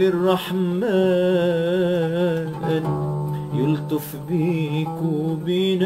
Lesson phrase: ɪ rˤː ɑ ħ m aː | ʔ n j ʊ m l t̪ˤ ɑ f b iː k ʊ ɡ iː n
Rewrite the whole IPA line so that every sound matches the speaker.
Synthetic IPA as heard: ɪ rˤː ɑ ħ m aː | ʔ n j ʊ l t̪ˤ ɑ f b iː k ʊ b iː n